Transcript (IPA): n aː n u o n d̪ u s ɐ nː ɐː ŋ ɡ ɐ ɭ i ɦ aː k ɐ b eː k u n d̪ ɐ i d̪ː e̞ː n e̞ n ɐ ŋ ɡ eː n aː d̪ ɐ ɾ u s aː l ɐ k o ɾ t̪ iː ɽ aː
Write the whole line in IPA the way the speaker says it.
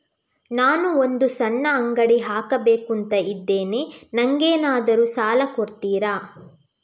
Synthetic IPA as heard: n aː n u o n d̪ u s ɐ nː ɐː ŋ ɡ ɐ ɽ i ɦ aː k ɐ b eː k u n t̪ ɐ i d̪ː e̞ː n e̞ n ɐ ŋ ɡ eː n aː d̪ ɐ ɾ u s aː l ɐ k o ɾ t̪ iː ɾ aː

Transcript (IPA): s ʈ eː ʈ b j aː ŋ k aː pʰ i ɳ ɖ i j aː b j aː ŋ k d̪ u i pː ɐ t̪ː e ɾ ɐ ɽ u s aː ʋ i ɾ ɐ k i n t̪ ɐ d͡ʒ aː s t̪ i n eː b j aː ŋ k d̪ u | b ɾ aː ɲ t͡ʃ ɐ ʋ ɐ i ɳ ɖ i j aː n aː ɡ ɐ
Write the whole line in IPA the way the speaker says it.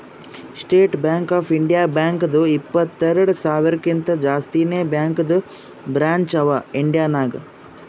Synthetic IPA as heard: s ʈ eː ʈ b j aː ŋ k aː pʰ i ɳ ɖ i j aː b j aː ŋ k d̪ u i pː ɐ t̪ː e ɾ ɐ ɽ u s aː ʋ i ɾ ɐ k i n t̪ ɐ d͡ʒ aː s t̪ i n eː b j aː ŋ k d̪ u | b ɾ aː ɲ t͡ʃ ɐ ʋ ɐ i ɳ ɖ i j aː n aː ɡ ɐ

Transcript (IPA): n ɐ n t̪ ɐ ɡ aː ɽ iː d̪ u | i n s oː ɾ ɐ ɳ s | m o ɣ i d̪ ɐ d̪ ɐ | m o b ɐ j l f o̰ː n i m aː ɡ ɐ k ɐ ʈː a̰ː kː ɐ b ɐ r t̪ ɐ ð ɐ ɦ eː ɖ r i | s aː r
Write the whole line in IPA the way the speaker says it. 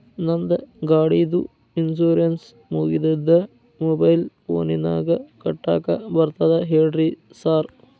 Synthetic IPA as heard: n ɐ n d̪ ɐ ɡ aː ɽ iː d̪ u | i n s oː ɾ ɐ n s | m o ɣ i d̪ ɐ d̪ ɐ | m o b ɐ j l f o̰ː n i n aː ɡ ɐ k ɐ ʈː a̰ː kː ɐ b ɐ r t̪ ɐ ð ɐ ɦ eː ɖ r i | s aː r

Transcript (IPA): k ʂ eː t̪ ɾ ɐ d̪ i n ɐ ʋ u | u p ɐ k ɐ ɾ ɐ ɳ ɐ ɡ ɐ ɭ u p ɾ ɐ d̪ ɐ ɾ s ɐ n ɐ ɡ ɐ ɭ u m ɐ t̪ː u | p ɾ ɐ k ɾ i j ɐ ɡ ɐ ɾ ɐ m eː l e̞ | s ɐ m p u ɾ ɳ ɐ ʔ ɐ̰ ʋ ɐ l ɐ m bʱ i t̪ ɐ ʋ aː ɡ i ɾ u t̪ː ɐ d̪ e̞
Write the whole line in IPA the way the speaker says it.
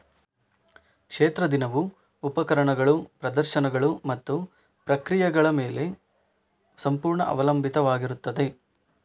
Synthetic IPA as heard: k ʂ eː t̪ ɾ ɐ d̪ i n ɐ ʋ u | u p ɐ k ɐ ɾ ɐ ɳ ɐ ɡ ɐ ɭ u p ɾ ɐ d̪ ɐ ɾ ʃ ɐ n ɐ ɡ ɐ ɭ u m ɐ t̪ː u | p ɾ ɐ k ɾ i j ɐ ɡ ɐ ɭ ɐ m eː l e̞ | s ɐ m p uː ɾ ɳ ɐ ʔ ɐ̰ ʋ ɐ l ɐ m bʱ i t̪ ɐ ʋ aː ɡ i ɾ u t̪ː ɐ d̪ e̞

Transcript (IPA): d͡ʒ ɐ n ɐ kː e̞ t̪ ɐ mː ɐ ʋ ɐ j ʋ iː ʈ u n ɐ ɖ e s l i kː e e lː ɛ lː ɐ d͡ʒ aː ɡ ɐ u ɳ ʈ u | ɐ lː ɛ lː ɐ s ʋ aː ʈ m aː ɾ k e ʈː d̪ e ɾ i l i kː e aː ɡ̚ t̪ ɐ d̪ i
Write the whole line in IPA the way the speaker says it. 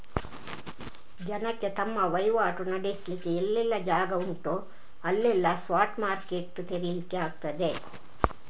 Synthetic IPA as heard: d͡ʒ ɐ n ɐ kː e̞ t̪ ɐ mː ɐ ʋ ɐ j ʋ aː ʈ u n ɐ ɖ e s l i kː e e lː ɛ lː ɐ d͡ʒ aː ɡ ɐ u ɳ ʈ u | ɐ lː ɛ lː ɐ s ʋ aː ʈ m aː ɾ k e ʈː t̪ e ɾ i l i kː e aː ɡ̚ t̪ ɐ d̪ e

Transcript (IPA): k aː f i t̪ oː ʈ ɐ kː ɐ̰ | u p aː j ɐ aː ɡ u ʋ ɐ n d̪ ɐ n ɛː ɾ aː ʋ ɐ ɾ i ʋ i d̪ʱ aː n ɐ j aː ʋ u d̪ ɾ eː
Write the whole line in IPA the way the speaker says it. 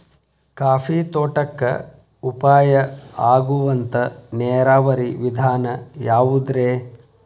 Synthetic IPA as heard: k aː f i t̪ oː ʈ ɐ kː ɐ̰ | u p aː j ɐ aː ɡ u ʋ ɐ n t̪ ɐ n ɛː ɾ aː ʋ ɐ ɾ i ʋ i d̪ʱ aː n ɐ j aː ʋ u d̪ ɾ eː

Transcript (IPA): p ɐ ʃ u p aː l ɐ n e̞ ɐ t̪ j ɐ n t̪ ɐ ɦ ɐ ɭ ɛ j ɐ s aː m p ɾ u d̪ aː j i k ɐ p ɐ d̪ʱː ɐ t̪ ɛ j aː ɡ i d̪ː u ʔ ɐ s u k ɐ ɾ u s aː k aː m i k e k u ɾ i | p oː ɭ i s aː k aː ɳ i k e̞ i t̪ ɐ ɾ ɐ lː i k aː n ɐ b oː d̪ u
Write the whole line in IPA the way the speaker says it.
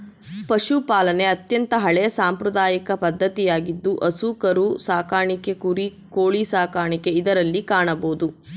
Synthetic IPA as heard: p ɐ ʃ u p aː l ɐ n e̞ ɐ t̪ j ɐ n t̪ ɐ ɦ ɐ ɭ ɛ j ɐ s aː m p ɾ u d̪ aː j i k ɐ p ɐ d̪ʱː ɐ t̪ i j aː ɡ i d̪ː u ʔ ɐ s u k ɐ ɾ u s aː k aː ɳ i k e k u ɾ i | k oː ɭ i s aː k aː ɳ i k e̞ i d̪ ɐ ɾ ɐ lː i k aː ɳ ɐ b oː d̪ u

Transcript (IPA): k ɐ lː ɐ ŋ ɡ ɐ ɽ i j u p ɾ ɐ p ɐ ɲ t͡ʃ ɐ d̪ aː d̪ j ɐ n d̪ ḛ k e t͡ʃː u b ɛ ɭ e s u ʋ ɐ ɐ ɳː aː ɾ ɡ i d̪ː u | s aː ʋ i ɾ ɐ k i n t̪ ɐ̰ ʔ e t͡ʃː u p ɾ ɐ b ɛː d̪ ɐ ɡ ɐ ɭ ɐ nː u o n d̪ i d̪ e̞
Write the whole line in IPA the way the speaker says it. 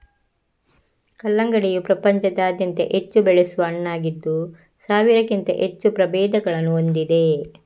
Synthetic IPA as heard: k ɐ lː ɐ ŋ ɡ ɐ ɽ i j u p ɾ ɐ p ɐ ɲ t͡ʃ ɐ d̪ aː d̪ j ɐ n t̪ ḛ ʔ e t͡ʃː u b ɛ ɭ e s u ʋ ɐ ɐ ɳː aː ɡ i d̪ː u | s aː ʋ i ɾ ɐ k i n t̪ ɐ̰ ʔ e t͡ʃː u p ɾ ɐ b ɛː d̪ ɐ ɡ ɐ ɭ ɐ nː u o n d̪ i d̪ e̞

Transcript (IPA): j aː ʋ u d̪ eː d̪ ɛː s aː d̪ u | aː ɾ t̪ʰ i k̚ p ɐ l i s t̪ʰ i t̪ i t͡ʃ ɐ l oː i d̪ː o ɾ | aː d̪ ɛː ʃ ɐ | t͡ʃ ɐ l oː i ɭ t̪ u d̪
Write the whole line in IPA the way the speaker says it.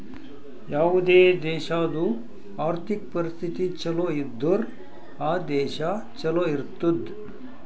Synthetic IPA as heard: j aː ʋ u d̪ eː d̪ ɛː ʃ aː d̪ u | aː ɾ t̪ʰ i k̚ p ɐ ɾ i s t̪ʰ i t̪ i t͡ʃ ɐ l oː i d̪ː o ɾ | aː d̪ ɛː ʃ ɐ | t͡ʃ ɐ l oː i ɾ t̪ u d̪

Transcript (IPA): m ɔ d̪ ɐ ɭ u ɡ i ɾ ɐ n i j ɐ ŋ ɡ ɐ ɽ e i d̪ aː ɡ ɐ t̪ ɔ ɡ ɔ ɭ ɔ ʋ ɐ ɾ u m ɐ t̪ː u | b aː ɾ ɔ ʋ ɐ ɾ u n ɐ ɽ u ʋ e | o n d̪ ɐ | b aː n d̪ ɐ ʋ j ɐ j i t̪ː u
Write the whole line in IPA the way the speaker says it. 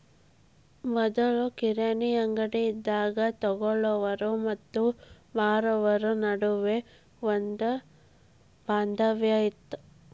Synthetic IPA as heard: m ɔ d̪ ɐ ɭ u k i ɾ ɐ n i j ɐ ŋ ɡ ɐ ɽ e i d̪ː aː ɡ ɐ t̪ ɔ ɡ ɔ ɭ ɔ ʋ ɐ ɾ u m ɐ t̪ː u | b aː ɾ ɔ ʋ ɐ ɾ u n ɐ ɽ u ʋ e | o n d̪ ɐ | b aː n d̪ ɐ ʋ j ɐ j i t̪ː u

